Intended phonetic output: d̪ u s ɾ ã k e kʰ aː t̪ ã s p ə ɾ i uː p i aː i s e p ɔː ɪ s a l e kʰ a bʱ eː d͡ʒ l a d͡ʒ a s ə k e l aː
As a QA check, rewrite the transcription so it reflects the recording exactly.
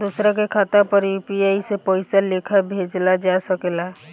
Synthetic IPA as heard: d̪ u s ɾ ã k e kʰ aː t̪ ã p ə ɾ j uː p i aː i s e p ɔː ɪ s a l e kʰ a bʱ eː d͡ʒ l a d͡ʒ a s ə k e l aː